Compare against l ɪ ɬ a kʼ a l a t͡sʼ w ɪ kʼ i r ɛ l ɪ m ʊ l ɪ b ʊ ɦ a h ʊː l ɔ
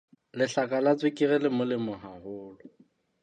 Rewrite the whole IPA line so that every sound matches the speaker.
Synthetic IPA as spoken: l ɪ ɬ a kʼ a l a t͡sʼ w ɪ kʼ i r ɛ l ɪ m ʊ l ɪ m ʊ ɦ a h ʊː l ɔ